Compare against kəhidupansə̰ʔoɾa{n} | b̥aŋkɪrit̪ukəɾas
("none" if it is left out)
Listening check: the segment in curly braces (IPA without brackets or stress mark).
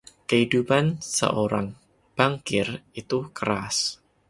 ŋ